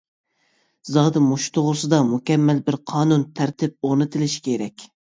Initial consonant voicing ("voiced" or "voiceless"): voiced